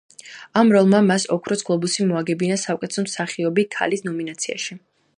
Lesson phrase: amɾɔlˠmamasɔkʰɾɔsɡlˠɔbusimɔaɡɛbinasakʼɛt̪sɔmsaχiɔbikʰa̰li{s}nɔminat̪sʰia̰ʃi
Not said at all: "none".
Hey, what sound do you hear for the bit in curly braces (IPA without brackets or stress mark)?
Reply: s